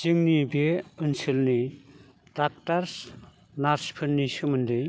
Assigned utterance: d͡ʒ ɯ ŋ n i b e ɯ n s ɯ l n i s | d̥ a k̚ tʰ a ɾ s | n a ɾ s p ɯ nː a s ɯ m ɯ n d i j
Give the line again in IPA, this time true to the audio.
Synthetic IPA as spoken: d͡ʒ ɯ ŋ n i b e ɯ n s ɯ l n i | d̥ a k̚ t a ɾ s | n a ɾ s pʰ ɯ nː i s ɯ m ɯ n d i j